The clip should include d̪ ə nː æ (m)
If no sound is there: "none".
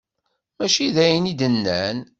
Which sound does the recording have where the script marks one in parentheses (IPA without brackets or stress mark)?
n